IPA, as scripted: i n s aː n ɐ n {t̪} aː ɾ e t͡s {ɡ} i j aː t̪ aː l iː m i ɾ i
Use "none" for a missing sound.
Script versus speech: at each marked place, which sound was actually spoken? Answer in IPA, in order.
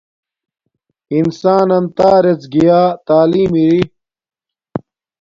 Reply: t̪, ɡ

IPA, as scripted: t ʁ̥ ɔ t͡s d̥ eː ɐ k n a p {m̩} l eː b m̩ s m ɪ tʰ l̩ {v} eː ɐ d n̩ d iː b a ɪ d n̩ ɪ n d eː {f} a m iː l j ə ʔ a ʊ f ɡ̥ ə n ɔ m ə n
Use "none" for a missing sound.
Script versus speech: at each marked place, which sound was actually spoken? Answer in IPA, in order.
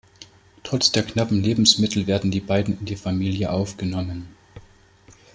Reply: m̩, v, f

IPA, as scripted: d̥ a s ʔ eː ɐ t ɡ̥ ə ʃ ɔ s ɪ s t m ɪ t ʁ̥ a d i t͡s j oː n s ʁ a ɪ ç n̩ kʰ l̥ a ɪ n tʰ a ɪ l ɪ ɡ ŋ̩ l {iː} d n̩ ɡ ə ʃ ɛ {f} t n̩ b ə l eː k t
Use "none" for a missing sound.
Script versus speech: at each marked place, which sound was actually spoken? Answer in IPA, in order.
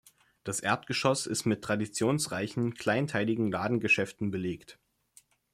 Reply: aː, f

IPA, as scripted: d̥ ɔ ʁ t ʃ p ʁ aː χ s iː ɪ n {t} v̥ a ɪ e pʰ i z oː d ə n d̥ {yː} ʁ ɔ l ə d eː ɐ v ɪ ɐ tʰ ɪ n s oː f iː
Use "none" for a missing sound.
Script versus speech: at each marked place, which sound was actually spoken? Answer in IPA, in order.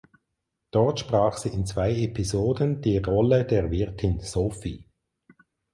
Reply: t͡s, iː

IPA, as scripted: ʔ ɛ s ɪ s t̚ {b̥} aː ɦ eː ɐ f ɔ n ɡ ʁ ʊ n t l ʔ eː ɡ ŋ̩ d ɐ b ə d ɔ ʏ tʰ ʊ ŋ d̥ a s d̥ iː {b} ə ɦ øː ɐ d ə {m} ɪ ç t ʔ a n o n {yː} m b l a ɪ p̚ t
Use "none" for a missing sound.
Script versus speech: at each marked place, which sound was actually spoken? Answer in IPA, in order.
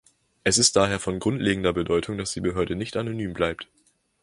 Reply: d̥, b, n, yː

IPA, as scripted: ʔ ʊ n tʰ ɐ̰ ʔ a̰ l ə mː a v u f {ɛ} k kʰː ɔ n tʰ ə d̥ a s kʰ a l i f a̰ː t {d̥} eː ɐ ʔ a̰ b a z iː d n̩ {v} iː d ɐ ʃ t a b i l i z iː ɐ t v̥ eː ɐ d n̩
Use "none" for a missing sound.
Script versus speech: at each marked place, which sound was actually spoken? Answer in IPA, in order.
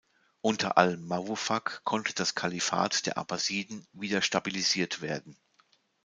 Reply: a, d̥, v

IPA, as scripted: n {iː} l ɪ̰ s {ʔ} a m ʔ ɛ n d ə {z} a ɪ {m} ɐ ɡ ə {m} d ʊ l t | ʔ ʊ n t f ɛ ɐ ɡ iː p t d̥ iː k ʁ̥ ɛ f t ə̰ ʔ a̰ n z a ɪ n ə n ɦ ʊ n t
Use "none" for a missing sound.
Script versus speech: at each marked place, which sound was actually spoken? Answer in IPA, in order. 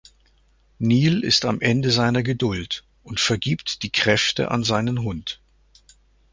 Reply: iː, t, z, n, none

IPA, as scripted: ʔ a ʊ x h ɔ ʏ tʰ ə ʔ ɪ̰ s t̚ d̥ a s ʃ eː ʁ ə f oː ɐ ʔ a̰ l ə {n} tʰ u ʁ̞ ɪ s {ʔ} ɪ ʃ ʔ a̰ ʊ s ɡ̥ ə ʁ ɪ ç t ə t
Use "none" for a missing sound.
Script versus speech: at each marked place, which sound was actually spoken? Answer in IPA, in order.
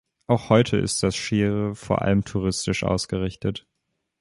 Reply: m, t

